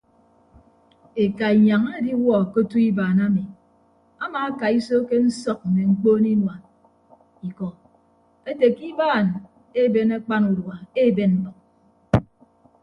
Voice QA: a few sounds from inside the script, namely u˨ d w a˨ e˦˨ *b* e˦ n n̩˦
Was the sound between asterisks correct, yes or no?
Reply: yes